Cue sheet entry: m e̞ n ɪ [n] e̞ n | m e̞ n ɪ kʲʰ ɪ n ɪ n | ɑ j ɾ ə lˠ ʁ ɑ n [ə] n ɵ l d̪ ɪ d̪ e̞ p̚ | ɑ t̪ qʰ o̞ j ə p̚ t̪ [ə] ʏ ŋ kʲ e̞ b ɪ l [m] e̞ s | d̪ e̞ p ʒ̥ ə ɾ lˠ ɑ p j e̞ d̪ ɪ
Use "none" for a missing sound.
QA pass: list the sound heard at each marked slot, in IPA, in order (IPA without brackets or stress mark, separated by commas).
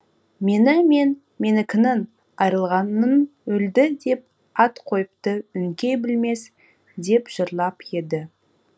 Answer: m, ə, ə, m